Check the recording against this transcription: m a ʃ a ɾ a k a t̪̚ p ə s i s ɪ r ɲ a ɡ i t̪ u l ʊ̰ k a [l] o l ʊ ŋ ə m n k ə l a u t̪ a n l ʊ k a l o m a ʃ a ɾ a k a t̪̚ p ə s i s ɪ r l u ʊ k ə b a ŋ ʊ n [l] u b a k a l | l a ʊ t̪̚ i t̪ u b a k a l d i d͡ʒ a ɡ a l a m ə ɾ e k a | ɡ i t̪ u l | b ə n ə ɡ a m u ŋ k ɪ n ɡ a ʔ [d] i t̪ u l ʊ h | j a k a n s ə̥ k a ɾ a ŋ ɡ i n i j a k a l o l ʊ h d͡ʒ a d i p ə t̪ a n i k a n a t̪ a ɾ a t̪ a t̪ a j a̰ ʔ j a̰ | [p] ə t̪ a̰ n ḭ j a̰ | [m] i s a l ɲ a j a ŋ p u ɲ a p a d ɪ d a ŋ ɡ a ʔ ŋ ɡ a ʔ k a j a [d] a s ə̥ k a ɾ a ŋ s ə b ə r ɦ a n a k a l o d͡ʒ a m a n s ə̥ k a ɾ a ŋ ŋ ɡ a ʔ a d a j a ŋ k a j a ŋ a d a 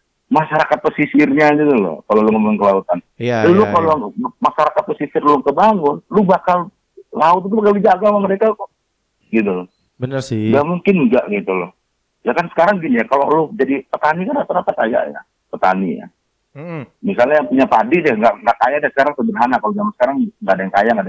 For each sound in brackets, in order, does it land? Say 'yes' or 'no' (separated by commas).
yes, yes, no, yes, yes, yes